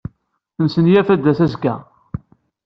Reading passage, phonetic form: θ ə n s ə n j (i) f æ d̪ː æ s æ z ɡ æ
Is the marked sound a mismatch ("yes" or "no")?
yes